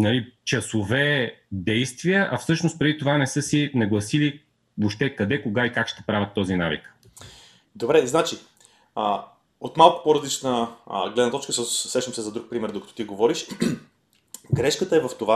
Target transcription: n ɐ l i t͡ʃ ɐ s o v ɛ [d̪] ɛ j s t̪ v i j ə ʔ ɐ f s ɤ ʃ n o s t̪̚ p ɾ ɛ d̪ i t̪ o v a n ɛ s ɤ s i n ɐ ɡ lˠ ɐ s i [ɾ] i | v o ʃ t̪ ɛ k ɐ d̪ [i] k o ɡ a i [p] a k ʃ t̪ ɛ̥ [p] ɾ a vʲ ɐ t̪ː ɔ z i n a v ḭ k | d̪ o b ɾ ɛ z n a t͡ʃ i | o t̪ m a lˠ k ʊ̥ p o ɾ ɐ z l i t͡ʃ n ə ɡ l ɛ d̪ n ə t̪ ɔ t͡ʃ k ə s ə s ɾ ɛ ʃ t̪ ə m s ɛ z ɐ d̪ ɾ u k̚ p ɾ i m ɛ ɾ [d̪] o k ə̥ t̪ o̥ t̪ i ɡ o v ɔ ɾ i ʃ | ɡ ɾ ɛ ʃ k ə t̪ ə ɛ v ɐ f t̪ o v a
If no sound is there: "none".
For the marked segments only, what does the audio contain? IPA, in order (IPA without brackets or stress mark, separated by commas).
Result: d̪, l, ɛ, k, p, d̪